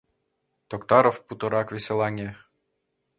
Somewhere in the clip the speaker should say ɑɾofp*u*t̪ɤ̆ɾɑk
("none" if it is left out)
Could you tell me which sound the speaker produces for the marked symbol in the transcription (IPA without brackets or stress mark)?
u